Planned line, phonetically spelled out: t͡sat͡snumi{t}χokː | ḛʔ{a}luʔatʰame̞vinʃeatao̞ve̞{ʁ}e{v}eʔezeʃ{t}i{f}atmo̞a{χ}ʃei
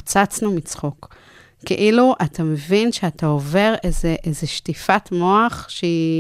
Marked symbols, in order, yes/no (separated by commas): no, no, yes, no, yes, yes, yes